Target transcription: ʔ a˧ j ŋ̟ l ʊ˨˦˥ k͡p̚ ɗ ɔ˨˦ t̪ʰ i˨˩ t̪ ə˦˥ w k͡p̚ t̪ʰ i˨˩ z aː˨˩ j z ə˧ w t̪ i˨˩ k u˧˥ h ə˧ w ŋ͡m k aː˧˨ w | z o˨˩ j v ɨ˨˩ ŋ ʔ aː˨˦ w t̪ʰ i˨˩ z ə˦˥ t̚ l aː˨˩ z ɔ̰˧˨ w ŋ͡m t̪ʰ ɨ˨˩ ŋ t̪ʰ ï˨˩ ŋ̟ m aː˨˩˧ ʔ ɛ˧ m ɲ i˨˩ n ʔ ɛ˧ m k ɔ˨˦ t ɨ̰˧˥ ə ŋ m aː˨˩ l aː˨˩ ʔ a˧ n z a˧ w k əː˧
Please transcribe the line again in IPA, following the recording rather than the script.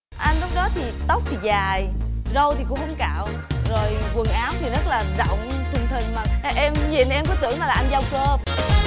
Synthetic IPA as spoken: ʔ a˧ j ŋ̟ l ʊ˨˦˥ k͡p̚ ɗ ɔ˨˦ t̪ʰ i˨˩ t̪ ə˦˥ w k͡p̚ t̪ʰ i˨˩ z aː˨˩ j z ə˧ w t̪ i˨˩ k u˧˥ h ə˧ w ŋ͡m k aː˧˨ w | z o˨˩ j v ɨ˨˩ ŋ ʔ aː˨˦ w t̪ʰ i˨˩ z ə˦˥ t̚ l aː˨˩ z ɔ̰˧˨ w ŋ͡m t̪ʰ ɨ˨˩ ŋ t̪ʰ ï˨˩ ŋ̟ m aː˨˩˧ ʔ ɛ˧ m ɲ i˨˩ n ʔ ɛ˧ m k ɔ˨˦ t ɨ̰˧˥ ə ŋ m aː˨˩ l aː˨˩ ʔ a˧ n z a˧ w k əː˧